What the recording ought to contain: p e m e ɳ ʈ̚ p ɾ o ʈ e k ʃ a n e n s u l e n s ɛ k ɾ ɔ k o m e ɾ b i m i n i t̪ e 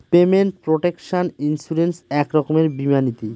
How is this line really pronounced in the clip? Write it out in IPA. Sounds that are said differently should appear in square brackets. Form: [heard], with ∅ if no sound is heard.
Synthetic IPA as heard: p e m e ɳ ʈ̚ p ɾ o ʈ e k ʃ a n [i] n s u [ɾ] e n s ɛ k ɾ ɔ k o m e ɾ b i m [a] n i t̪ [i]